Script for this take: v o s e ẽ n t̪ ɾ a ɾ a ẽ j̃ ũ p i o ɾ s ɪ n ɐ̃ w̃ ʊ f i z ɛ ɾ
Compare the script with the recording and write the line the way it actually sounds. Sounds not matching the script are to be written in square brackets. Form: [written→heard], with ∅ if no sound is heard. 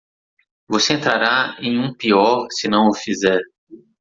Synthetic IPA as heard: v o s e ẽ n t̪ ɾ a ɾ a ẽ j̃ ũ p i [o→ɔ] ɾ s ɪ n ɐ̃ w̃ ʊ f i z ɛ ɾ